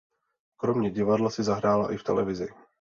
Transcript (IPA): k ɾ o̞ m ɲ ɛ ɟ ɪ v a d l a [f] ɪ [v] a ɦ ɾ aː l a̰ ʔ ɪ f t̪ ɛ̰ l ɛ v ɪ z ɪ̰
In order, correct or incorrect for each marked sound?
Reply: incorrect, incorrect

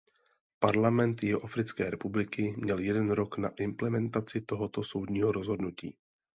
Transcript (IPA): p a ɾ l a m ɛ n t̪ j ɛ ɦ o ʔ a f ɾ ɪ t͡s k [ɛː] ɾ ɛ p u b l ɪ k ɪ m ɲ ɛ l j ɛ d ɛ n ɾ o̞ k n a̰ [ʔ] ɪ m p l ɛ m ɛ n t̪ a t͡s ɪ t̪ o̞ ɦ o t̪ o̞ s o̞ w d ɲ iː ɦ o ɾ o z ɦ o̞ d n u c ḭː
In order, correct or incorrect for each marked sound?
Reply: correct, correct

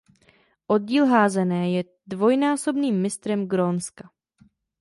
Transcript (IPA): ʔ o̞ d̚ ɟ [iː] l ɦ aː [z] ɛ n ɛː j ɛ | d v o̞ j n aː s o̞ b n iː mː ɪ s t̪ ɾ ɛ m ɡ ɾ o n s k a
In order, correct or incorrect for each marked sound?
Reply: correct, correct

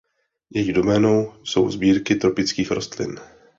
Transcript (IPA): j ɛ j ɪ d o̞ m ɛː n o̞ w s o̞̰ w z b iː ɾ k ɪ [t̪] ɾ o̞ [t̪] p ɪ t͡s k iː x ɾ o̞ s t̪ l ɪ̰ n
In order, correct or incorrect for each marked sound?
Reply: correct, incorrect

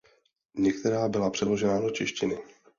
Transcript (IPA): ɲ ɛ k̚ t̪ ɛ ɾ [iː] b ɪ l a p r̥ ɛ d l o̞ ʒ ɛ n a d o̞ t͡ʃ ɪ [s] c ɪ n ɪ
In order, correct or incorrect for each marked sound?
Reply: incorrect, incorrect

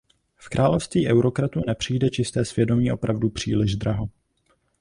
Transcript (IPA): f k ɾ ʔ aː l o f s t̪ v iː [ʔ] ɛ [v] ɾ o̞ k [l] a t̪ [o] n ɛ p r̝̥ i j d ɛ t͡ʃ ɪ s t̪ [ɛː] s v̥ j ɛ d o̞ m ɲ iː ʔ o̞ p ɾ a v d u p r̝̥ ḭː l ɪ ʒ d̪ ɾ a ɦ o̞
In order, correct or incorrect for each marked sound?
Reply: correct, incorrect, incorrect, incorrect, correct

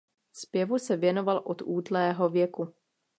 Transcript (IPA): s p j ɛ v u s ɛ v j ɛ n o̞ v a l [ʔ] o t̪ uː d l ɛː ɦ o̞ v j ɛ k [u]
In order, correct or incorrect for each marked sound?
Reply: correct, correct

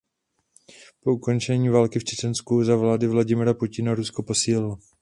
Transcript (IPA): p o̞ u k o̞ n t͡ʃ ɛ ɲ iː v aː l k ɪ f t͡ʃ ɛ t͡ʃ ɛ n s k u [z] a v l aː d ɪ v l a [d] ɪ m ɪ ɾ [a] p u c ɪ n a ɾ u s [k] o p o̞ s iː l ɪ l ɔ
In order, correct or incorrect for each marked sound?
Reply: correct, incorrect, correct, correct

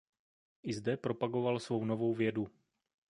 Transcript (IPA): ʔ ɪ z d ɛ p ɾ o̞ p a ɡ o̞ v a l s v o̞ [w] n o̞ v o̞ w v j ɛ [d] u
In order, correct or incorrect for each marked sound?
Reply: correct, correct

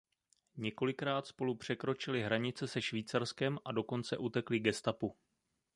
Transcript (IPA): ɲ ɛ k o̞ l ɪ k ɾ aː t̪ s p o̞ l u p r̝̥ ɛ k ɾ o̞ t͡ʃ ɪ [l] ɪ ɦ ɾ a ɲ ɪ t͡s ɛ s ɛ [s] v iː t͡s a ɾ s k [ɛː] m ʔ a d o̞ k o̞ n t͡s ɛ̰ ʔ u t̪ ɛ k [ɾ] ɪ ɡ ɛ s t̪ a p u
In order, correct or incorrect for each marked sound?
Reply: correct, incorrect, incorrect, incorrect

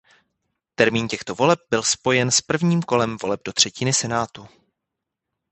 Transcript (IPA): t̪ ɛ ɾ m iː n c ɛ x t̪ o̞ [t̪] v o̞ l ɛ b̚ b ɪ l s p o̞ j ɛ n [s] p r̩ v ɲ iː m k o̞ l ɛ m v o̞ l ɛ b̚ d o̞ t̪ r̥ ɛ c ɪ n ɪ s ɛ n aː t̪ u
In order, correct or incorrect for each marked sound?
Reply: incorrect, correct

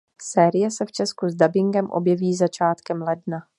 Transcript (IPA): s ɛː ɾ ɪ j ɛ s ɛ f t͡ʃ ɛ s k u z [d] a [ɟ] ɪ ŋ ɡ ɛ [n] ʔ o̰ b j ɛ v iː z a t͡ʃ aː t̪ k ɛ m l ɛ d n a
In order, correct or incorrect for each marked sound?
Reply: correct, incorrect, incorrect

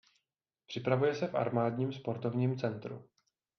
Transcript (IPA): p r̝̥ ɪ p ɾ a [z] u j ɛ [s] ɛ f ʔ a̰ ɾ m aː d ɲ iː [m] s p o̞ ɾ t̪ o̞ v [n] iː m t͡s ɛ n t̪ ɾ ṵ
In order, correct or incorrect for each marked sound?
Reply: incorrect, correct, correct, incorrect

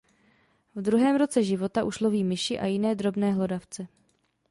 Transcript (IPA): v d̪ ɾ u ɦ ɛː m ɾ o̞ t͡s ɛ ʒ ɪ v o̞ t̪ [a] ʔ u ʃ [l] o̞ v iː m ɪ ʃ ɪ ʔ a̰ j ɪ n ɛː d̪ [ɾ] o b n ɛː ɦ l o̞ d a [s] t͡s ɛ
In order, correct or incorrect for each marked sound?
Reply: correct, correct, correct, incorrect

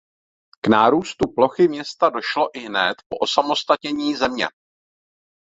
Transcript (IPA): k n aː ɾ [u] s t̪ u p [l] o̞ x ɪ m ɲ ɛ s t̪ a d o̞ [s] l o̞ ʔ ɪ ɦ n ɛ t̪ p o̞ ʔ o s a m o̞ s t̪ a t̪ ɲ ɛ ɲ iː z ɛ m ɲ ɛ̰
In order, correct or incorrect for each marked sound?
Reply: incorrect, correct, incorrect

